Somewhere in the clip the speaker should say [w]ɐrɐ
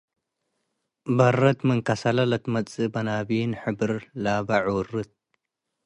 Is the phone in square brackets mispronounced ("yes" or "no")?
yes